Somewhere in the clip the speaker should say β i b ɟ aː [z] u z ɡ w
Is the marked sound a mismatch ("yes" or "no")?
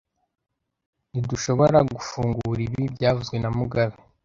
yes